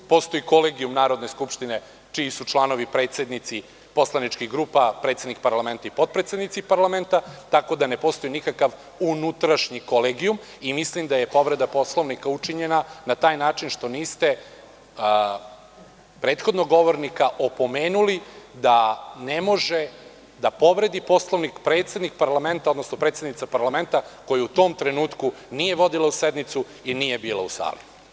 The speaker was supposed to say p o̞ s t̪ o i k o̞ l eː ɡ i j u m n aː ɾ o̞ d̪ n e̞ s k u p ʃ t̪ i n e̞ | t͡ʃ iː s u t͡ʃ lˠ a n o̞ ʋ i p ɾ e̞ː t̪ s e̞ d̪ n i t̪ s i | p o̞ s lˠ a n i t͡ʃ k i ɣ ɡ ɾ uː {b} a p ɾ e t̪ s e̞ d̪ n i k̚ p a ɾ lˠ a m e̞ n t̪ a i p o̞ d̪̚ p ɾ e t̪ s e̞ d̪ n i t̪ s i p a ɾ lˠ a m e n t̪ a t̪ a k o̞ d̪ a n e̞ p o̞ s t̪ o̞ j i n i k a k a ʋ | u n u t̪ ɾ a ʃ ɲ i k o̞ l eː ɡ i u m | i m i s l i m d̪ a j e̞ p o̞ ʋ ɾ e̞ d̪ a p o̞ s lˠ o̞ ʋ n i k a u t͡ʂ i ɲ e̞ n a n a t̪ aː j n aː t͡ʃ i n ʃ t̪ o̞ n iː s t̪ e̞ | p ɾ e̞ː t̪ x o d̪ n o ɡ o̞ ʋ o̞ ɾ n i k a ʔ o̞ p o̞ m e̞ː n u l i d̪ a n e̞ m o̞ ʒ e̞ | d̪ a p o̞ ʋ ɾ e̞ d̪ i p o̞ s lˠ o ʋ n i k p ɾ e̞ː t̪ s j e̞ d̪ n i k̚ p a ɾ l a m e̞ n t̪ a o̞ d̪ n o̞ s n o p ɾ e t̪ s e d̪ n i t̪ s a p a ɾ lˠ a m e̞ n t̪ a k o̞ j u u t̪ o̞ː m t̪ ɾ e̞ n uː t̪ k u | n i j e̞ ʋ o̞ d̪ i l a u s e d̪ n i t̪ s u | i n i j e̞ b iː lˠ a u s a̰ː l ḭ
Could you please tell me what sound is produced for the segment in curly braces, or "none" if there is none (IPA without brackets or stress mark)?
p